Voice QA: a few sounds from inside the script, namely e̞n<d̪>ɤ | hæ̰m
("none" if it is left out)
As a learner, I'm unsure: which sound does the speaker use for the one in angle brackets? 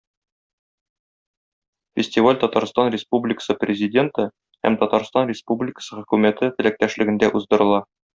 t̪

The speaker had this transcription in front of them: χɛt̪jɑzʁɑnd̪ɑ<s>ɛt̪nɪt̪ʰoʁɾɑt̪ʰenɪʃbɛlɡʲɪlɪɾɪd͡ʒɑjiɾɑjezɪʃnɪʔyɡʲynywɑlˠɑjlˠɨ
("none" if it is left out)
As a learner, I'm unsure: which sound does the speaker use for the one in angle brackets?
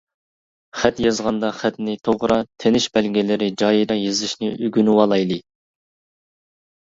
χ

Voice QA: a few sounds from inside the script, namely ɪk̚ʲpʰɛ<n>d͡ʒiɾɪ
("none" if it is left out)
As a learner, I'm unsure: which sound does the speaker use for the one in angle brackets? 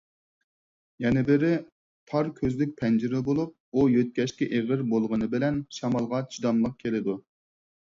n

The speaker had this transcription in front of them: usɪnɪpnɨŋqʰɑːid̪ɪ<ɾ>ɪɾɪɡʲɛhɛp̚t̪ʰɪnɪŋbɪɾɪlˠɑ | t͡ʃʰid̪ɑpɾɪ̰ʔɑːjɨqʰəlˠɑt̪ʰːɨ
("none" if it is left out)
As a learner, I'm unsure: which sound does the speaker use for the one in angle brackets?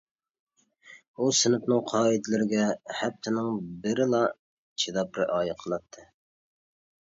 l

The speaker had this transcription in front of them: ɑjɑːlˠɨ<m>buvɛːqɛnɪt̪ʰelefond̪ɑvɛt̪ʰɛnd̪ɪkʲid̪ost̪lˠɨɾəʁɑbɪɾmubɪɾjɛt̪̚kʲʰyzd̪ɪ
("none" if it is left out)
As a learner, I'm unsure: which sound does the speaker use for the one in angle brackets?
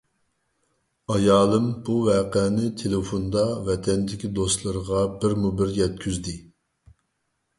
m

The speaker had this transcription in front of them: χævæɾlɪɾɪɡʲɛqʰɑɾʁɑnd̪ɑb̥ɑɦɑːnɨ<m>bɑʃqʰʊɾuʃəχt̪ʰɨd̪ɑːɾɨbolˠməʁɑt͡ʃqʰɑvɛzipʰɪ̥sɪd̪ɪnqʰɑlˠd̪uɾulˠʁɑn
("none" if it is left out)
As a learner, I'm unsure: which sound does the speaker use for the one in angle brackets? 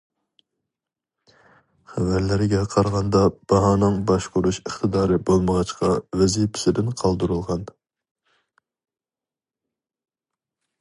ŋ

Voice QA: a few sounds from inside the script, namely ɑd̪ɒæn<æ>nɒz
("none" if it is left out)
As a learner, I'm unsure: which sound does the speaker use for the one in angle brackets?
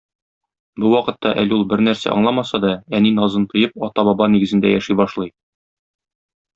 i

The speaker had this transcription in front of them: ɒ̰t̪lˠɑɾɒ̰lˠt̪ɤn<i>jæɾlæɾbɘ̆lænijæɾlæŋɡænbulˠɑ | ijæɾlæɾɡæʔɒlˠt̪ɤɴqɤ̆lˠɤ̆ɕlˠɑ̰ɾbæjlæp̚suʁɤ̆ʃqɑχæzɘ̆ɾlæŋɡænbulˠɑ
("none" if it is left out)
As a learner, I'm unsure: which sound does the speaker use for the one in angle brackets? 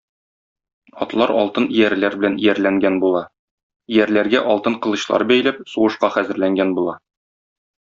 i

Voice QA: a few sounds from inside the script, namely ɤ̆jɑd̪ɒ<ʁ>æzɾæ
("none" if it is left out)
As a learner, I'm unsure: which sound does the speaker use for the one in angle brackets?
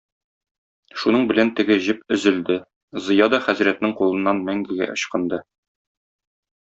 χ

